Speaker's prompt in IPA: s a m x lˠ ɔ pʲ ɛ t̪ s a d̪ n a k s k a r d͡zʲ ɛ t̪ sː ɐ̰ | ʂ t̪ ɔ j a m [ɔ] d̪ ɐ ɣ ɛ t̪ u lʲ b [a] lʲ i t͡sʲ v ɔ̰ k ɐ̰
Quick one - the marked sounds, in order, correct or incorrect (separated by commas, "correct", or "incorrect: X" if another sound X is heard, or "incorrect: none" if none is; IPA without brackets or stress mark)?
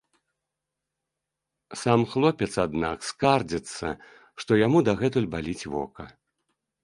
incorrect: u, correct